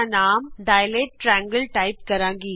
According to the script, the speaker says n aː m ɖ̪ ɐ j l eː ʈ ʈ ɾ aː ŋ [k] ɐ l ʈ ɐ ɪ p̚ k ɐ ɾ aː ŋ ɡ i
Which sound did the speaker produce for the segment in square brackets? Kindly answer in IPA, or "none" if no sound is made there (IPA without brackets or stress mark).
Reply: ɡ